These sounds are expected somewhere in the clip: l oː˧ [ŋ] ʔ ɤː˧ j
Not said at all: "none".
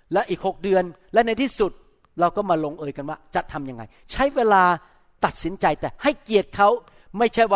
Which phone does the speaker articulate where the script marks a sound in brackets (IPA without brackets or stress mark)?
ŋ